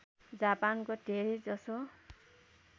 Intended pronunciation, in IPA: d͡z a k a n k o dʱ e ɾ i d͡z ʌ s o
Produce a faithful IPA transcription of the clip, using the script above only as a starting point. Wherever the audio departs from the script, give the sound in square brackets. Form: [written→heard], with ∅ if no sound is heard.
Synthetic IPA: d͡z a [k→p] a n k o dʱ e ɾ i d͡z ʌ s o